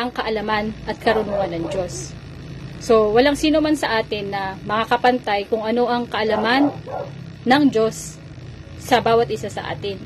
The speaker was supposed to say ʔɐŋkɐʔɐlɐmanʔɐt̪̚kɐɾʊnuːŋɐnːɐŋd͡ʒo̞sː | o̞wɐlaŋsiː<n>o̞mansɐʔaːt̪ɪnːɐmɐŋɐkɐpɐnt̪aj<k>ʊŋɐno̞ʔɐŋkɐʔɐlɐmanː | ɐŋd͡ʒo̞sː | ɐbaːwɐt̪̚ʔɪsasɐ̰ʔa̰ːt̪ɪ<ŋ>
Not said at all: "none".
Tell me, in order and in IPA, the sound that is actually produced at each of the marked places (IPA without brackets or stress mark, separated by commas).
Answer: n, k, n